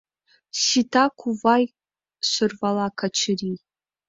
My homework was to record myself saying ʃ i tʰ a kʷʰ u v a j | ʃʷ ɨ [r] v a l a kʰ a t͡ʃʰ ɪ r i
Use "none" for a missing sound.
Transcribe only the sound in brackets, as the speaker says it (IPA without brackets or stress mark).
r